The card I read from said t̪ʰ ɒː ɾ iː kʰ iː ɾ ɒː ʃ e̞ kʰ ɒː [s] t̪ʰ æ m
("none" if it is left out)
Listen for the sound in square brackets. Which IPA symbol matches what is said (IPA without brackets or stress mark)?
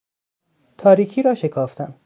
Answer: f